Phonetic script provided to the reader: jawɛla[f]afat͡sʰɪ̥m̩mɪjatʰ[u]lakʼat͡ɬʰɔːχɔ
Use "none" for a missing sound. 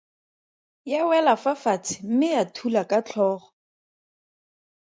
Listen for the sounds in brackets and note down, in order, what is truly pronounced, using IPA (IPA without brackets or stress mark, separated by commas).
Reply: f, u